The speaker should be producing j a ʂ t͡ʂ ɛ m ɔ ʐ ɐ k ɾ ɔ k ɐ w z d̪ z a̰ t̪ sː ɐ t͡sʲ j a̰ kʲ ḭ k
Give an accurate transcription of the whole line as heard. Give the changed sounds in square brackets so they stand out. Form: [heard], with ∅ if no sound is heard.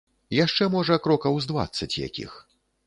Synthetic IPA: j a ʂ t͡ʂ ɛ m ɔ ʐ ɐ k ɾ ɔ k ɐ w z d̪ [v] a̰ t̪ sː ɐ t͡sʲ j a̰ kʲ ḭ [x]